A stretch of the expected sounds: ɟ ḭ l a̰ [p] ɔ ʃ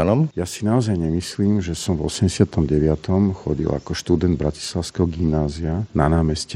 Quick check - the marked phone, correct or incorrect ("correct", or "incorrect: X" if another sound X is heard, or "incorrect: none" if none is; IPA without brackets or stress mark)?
incorrect: k